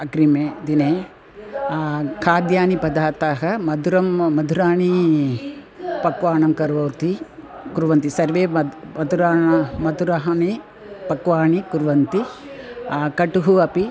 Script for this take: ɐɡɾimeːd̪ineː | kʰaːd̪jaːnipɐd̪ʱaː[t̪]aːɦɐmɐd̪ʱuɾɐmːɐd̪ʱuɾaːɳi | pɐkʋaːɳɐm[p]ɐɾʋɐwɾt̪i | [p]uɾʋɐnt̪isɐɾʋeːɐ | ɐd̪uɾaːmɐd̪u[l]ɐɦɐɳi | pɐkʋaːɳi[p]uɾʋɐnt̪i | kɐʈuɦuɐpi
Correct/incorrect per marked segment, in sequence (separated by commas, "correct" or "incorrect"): correct, incorrect, incorrect, incorrect, incorrect